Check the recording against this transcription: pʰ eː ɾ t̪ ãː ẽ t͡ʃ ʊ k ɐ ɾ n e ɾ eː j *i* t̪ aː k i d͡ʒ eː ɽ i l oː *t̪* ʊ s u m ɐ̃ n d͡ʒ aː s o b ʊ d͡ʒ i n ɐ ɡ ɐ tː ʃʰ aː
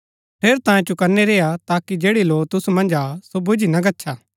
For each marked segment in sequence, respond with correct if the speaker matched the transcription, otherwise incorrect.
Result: incorrect: a, correct

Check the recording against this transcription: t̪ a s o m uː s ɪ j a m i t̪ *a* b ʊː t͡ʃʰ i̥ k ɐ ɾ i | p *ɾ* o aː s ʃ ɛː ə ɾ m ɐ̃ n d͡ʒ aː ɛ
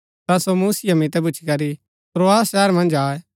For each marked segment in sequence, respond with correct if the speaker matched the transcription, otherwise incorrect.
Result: incorrect: ɛ, correct

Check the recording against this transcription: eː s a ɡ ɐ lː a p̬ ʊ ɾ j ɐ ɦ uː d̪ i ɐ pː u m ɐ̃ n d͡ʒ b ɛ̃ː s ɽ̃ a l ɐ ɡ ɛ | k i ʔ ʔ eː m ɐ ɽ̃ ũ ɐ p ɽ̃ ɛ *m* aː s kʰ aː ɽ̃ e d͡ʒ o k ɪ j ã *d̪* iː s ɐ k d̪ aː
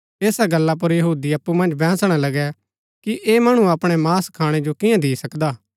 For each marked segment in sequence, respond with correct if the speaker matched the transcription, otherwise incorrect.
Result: correct, correct

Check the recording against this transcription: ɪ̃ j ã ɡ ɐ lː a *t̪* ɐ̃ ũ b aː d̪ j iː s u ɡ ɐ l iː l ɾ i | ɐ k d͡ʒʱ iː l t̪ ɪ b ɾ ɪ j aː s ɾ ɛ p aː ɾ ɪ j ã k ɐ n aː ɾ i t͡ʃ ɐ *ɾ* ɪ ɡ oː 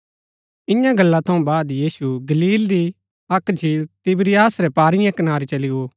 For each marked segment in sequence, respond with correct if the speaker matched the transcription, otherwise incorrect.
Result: incorrect: t̪ʰ, incorrect: l

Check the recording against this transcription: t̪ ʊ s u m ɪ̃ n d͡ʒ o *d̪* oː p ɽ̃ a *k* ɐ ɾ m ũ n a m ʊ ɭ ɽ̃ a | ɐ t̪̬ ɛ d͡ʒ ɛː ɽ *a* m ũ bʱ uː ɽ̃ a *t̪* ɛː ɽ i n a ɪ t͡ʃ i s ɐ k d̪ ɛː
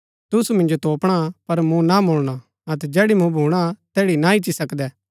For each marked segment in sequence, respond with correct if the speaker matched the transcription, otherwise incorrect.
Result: incorrect: t̪, incorrect: p, incorrect: i, correct

